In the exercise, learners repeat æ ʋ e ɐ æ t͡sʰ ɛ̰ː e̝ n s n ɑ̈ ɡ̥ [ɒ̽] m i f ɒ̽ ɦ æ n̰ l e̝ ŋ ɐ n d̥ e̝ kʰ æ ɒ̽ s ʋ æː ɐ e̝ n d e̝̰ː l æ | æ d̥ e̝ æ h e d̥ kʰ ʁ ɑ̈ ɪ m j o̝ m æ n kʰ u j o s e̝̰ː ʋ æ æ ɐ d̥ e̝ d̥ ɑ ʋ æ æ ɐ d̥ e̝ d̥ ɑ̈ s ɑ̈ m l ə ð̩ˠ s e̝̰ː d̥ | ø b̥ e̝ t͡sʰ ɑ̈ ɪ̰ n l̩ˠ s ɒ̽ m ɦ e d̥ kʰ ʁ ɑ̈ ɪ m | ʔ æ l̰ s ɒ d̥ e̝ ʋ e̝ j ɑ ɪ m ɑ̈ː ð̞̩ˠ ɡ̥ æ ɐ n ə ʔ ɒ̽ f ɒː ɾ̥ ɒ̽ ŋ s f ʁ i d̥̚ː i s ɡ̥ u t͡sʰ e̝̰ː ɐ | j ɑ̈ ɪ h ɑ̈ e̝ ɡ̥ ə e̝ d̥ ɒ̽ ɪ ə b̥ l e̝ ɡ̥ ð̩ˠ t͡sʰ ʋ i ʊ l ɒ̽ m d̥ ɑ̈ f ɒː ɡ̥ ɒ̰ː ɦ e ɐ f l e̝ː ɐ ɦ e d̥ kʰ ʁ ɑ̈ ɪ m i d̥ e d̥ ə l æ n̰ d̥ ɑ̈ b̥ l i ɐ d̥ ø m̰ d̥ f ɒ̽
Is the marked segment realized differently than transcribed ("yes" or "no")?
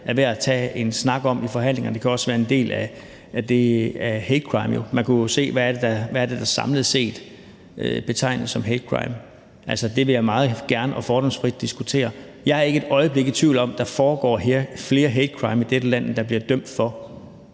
no